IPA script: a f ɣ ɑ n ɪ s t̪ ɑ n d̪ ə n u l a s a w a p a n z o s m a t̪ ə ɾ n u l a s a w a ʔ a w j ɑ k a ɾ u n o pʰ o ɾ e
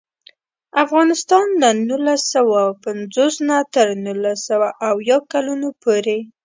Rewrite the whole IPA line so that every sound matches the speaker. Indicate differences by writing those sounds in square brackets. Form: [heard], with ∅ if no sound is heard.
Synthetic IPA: a f ɣ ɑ n ɪ s t̪ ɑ n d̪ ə n u l a s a w a p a n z o s [n] a t̪ ə ɾ n u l a s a w a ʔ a w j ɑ k a [l] u n o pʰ o ɾ e